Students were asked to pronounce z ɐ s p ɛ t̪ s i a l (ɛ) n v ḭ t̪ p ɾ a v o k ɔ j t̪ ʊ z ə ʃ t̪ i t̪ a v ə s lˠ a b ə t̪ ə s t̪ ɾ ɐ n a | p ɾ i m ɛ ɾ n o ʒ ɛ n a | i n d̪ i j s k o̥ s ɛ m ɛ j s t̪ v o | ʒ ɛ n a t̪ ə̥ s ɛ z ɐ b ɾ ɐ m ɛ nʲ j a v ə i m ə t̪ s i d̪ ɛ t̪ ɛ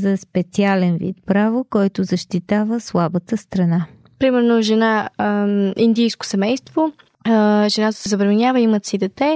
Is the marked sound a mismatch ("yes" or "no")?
no